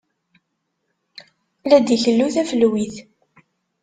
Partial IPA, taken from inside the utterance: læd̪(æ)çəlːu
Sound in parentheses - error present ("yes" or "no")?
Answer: yes